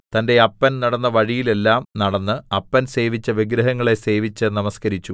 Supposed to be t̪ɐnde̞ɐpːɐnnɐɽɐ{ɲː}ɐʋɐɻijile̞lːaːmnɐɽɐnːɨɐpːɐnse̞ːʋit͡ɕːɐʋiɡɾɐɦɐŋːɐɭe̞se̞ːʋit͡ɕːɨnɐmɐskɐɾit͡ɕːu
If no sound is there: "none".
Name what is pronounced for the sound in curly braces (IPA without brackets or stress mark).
nː